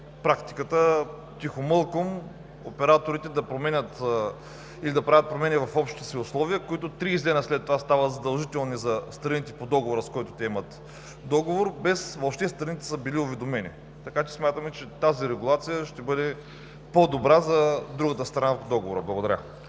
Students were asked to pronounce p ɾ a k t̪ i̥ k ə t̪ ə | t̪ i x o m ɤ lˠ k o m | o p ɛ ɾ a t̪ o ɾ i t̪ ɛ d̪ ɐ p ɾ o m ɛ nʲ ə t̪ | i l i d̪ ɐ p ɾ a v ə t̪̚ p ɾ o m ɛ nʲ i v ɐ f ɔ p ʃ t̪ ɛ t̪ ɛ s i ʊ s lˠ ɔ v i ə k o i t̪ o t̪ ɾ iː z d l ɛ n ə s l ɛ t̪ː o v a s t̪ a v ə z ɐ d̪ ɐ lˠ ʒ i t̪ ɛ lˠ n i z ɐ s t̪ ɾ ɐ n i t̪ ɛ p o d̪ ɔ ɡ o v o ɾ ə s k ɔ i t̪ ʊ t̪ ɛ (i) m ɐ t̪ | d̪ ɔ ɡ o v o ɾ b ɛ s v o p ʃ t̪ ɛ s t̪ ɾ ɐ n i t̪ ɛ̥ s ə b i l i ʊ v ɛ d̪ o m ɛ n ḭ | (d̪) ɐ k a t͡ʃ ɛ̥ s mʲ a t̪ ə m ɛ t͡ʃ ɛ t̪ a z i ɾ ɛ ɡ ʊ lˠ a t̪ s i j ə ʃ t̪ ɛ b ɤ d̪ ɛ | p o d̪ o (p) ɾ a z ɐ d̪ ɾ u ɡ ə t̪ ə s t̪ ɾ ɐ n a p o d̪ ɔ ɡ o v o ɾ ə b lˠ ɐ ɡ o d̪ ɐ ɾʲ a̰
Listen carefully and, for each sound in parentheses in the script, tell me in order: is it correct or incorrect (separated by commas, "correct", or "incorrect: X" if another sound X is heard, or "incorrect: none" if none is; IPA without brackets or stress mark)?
incorrect: ɛ, incorrect: t̪, incorrect: b